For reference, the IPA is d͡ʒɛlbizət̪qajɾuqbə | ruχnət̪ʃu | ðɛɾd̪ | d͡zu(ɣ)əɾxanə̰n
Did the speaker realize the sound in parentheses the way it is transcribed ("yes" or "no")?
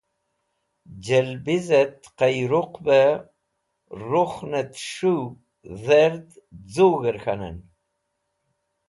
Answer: yes